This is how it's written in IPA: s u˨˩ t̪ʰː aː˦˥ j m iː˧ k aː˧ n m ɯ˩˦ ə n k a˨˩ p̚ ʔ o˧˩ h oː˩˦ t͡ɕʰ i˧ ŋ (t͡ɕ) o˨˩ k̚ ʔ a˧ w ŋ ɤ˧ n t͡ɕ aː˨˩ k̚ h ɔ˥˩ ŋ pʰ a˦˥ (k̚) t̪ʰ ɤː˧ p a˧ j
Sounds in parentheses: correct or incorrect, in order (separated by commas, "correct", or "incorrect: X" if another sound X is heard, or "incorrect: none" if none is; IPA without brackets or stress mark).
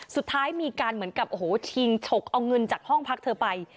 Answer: incorrect: t͡ɕʰ, correct